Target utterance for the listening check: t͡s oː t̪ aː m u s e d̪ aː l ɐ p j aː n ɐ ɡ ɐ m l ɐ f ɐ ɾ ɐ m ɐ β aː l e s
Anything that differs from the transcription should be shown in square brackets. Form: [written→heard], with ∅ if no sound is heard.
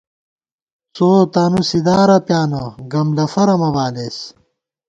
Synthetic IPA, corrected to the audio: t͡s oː t̪ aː [m→n] u s [e→i] d̪ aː [l→ɾ] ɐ p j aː n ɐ ɡ ɐ m l ɐ f ɐ ɾ ɐ m ɐ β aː l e s